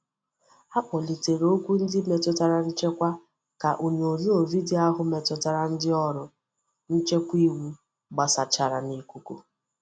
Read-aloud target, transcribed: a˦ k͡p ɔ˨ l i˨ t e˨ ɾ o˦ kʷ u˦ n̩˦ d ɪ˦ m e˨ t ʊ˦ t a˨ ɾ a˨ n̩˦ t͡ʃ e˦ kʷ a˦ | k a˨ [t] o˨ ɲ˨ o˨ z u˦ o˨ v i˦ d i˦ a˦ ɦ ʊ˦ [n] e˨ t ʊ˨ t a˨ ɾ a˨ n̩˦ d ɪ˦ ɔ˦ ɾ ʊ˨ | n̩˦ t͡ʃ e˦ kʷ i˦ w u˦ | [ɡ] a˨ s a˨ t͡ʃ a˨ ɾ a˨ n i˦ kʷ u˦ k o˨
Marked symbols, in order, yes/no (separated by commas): no, no, no